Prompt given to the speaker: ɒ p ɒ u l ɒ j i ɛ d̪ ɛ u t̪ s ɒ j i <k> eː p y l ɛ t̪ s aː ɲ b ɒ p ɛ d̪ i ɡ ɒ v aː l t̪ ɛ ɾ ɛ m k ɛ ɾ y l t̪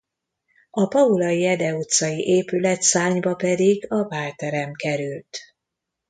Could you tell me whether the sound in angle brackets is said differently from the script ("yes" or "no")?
yes